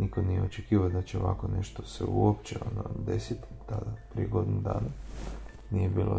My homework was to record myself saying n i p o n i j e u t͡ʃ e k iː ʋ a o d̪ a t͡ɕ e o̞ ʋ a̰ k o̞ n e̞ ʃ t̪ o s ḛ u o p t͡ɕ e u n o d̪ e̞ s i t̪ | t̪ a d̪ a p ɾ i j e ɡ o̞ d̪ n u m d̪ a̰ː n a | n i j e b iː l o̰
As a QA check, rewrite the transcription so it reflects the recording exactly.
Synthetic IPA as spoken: n i k o n i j e o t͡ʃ e k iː ʋ a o d̪ a t͡ɕ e o̞ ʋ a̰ k o̞ n e̞ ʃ t̪ o s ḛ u o p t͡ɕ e o n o d̪ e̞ s i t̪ | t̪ a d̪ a p ɾ i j e ɡ o̞ d̪ n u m d̪ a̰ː n a | n i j e b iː l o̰